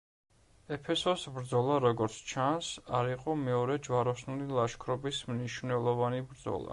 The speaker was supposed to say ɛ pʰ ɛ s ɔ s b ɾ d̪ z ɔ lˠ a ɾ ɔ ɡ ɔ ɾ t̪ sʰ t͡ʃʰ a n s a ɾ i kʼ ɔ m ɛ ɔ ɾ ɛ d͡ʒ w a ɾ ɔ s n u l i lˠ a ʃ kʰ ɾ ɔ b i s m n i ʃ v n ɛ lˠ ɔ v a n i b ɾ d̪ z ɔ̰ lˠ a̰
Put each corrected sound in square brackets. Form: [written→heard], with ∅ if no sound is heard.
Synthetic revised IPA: ɛ pʰ ɛ s ɔ s b ɾ d̪ z ɔ lˠ a ɾ ɔ ɡ ɔ ɾ t̪ sʰ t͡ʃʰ a n s a ɾ i [kʼ→qʼ] ɔ m ɛ ɔ ɾ ɛ d͡ʒ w a ɾ ɔ s n u l i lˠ a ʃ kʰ ɾ ɔ b i s m n i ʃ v n ɛ lˠ ɔ v a n i b ɾ d̪ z ɔ̰ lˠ a̰